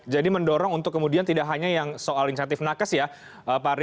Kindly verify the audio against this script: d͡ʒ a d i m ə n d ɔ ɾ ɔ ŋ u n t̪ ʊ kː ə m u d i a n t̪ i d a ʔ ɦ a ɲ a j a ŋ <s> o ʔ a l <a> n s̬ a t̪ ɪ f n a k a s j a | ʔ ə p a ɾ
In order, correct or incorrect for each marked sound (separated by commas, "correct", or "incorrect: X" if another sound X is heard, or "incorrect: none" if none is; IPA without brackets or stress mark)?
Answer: correct, incorrect: i